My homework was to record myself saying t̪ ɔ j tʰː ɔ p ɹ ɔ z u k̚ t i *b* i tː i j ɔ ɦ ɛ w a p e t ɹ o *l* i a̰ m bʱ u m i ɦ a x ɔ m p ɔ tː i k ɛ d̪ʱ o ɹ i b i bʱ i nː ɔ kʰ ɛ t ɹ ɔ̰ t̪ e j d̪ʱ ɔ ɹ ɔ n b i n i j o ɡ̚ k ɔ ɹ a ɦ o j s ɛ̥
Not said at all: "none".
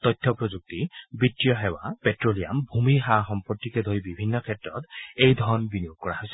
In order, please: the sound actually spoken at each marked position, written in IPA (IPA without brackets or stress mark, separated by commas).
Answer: b, l